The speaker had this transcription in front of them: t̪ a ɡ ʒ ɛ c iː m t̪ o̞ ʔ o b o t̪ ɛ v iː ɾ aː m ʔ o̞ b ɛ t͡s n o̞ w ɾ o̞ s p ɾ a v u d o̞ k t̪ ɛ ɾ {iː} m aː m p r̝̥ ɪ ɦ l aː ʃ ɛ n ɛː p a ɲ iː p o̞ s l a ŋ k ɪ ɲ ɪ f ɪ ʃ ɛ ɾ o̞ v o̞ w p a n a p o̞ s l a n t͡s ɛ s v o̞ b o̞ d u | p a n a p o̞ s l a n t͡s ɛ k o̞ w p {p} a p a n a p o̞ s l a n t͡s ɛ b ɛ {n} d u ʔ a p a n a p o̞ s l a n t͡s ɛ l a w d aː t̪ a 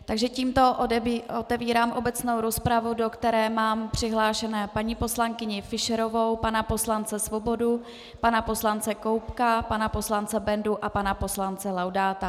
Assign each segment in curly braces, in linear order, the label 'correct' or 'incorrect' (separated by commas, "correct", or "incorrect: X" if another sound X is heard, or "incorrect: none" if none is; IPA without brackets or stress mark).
incorrect: ɛː, incorrect: k, correct